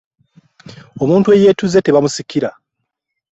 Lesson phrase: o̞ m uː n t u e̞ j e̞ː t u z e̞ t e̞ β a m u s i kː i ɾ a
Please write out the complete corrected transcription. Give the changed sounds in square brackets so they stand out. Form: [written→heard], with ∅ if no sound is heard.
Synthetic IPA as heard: o̞ m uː n t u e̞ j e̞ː t u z e̞ t e̞ β a m u s i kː i ɾ a